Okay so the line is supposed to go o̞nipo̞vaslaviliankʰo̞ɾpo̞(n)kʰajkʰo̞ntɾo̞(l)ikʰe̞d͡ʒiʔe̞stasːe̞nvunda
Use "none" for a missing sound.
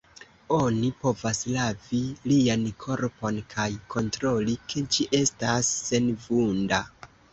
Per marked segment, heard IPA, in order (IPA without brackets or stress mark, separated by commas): n, l